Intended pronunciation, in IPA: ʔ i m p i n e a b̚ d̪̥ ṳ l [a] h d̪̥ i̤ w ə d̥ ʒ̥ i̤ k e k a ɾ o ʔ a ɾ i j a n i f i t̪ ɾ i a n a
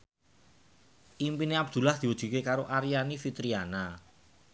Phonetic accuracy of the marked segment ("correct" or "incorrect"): correct